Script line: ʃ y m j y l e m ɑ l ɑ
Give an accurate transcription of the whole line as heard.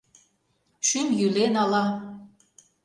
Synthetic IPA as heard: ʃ y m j y l e n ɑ l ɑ